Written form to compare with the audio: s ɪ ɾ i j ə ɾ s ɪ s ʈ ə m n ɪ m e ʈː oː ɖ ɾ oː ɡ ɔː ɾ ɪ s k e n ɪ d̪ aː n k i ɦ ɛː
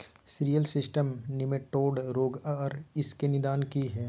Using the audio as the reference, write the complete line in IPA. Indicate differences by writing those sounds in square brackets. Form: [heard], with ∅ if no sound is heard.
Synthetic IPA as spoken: s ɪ ɾ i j ə [l] s ɪ s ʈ ə m n ɪ m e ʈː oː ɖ ɾ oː ɡ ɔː ɾ ɪ s k e n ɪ d̪ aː n k i ɦ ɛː